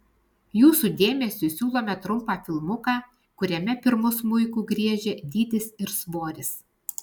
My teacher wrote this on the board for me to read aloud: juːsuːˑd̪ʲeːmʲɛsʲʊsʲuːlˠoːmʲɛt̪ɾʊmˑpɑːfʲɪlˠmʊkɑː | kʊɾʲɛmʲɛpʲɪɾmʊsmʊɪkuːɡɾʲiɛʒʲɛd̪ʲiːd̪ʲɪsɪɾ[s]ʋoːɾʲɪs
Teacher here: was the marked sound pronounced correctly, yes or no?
yes